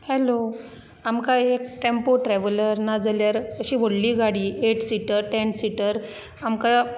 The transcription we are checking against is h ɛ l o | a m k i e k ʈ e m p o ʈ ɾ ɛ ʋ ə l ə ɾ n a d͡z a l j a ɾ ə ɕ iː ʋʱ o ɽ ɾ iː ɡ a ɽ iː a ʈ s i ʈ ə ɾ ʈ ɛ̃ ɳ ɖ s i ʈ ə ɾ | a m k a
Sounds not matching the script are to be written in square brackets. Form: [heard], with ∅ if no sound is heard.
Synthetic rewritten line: h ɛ l o | a m k [a] e k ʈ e m p o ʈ ɾ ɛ ʋ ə l ə ɾ n a d͡z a l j a ɾ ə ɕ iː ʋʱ o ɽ [l] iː ɡ a ɽ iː [e] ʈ s i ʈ ə ɾ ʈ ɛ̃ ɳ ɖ s i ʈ ə ɾ | a m k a